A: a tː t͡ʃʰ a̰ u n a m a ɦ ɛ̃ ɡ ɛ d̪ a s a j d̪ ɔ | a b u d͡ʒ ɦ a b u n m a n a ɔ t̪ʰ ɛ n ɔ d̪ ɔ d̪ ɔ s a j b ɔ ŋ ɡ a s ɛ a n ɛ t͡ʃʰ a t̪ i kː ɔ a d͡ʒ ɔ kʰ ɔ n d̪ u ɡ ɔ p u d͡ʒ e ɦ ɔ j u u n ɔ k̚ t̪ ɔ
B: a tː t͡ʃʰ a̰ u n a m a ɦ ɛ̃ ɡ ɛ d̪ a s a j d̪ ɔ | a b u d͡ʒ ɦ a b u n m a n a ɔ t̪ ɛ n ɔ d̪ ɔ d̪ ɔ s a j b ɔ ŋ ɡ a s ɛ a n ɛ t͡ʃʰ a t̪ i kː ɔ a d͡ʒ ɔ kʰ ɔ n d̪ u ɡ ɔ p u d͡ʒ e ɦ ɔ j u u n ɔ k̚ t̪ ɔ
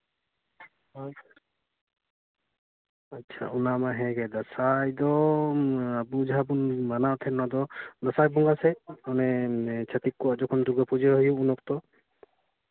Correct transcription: A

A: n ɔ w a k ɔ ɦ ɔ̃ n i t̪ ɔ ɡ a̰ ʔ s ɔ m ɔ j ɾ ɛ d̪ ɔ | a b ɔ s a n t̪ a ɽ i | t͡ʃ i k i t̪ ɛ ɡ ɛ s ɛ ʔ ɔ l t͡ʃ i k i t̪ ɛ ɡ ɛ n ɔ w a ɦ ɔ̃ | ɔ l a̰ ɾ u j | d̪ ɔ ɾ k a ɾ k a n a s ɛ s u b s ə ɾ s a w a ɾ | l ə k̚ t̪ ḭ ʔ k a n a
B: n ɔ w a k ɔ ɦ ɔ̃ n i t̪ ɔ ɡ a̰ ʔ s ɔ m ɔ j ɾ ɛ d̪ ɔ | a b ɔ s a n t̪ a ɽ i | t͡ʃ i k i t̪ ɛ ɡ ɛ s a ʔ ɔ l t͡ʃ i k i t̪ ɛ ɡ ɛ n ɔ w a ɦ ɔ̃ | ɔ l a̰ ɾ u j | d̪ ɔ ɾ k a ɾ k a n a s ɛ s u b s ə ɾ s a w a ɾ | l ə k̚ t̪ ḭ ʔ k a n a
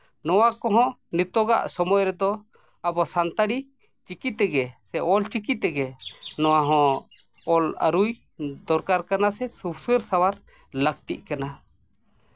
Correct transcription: A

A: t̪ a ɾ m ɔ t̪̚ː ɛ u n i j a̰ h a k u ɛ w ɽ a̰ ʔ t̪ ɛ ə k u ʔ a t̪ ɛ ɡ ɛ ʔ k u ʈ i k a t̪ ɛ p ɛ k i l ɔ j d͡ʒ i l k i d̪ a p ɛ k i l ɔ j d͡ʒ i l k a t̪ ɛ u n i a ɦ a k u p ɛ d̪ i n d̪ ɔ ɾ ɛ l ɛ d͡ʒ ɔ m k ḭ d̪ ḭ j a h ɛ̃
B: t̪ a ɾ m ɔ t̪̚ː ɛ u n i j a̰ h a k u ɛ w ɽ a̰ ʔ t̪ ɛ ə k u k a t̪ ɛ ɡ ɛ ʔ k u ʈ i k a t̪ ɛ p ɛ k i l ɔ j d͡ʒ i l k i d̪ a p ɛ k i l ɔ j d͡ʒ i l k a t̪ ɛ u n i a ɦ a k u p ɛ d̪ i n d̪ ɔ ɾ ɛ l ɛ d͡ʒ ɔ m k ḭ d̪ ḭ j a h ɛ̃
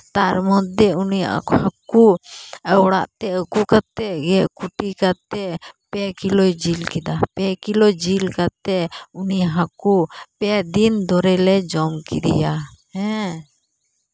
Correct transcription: B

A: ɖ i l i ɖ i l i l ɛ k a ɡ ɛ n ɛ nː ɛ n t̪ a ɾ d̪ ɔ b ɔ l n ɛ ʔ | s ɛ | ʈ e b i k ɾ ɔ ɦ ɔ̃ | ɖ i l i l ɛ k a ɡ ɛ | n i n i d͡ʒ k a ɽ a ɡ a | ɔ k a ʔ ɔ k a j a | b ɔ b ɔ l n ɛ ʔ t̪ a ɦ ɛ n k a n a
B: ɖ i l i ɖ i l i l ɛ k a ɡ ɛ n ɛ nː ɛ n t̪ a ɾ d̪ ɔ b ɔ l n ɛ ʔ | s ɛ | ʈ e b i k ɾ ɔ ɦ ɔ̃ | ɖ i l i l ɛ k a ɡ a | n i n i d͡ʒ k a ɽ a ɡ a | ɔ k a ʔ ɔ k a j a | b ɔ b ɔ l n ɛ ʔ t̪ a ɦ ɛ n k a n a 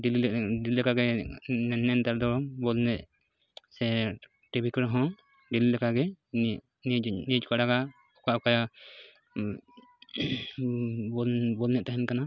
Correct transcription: A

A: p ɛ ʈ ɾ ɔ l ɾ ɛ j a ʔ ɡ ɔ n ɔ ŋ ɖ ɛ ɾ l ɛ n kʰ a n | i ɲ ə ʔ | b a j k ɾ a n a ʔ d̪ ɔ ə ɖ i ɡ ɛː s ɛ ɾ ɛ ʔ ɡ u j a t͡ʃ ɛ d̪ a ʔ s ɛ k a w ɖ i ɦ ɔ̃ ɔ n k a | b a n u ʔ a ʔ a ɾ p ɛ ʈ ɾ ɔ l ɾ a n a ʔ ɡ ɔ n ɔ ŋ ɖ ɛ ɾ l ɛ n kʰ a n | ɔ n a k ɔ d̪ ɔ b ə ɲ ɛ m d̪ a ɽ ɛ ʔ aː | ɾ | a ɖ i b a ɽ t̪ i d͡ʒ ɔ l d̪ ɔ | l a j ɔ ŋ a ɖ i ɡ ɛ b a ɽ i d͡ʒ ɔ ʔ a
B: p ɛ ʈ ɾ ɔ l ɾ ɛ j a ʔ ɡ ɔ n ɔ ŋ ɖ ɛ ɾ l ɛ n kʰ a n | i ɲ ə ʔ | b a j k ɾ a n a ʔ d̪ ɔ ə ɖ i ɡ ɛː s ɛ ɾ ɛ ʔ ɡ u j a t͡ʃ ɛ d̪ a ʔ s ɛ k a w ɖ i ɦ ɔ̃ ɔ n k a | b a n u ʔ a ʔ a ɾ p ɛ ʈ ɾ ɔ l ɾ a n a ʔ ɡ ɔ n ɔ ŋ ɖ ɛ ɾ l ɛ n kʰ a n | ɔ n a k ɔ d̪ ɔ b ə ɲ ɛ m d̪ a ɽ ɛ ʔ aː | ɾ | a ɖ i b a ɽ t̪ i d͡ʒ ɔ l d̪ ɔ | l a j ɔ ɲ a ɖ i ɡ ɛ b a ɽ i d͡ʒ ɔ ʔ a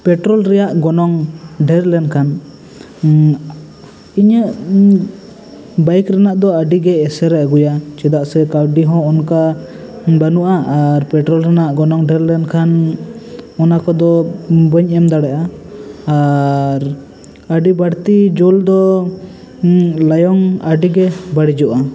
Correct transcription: A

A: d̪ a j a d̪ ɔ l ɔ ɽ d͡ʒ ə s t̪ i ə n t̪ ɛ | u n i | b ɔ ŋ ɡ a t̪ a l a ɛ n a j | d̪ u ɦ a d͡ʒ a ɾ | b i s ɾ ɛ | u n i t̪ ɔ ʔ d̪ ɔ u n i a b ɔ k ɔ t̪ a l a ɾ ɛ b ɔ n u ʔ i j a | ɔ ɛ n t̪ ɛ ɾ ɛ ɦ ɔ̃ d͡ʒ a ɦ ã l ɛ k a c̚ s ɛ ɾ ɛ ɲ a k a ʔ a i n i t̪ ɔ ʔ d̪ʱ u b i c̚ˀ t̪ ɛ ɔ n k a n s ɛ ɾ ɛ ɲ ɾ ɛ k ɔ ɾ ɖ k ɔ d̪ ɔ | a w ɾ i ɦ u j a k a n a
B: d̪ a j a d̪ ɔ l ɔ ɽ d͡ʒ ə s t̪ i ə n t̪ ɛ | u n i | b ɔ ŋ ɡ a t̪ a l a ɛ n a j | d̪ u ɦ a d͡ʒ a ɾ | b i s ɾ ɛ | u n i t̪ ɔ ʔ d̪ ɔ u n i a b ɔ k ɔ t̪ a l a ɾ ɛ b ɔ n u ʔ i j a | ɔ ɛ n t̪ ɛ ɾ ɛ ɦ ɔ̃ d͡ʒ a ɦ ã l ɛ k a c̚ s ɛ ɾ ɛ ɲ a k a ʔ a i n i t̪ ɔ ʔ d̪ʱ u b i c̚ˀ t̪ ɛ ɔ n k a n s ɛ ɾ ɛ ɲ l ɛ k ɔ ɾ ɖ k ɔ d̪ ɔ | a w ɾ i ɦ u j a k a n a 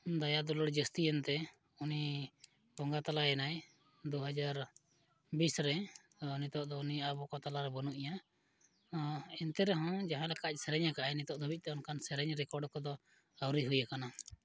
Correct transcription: A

